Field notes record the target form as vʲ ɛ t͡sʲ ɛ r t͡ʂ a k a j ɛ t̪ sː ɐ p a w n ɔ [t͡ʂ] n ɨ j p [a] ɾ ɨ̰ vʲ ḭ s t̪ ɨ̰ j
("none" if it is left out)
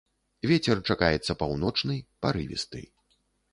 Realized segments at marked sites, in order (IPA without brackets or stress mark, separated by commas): t͡ʂ, a